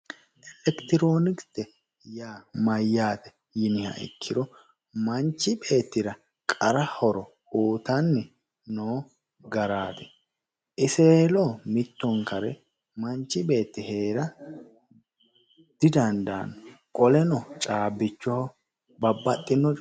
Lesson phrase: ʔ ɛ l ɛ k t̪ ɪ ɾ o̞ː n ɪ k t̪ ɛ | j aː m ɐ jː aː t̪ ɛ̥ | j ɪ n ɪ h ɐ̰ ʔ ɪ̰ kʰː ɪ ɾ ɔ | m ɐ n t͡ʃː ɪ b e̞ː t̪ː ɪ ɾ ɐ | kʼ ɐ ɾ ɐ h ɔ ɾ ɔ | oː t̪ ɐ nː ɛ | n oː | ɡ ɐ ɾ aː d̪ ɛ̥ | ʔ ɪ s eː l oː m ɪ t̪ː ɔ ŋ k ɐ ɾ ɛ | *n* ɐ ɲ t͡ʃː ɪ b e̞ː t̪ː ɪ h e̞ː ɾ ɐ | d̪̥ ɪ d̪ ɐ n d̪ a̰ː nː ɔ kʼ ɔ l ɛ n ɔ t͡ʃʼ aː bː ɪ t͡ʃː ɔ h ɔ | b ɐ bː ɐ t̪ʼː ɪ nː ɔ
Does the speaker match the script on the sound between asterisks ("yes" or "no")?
no